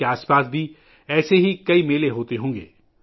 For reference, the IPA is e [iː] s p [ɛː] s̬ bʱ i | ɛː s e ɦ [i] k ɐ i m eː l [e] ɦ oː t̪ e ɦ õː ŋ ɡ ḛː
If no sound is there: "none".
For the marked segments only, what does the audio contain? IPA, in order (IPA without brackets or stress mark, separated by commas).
aː, aː, i, e